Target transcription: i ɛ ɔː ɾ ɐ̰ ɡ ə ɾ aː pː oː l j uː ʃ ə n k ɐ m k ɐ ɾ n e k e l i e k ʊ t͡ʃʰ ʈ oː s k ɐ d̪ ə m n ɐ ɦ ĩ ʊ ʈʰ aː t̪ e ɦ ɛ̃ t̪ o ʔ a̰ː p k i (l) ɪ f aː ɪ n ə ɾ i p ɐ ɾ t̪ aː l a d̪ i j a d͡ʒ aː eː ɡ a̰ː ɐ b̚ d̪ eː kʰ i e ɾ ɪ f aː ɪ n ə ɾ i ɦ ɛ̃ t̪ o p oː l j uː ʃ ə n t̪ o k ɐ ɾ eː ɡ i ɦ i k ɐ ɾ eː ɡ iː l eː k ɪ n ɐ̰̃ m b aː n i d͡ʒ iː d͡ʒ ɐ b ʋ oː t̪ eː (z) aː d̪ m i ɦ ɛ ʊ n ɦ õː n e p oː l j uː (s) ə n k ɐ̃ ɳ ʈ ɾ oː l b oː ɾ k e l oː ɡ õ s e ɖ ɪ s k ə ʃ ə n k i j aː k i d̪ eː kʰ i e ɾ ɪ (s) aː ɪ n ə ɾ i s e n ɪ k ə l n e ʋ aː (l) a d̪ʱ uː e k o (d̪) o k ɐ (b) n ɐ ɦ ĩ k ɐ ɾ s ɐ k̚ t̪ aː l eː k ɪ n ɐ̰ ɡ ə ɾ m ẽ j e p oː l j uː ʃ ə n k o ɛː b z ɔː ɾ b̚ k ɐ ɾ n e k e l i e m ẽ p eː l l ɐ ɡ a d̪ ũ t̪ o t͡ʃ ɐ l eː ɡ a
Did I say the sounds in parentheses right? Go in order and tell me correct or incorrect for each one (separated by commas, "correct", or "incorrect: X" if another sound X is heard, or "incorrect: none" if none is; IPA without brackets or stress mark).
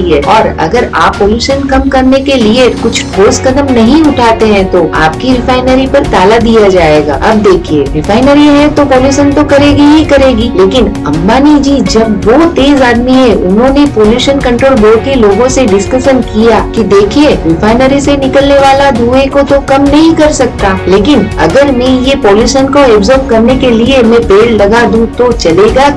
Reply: incorrect: ɾ, correct, incorrect: ʃ, incorrect: f, correct, incorrect: t̪, incorrect: m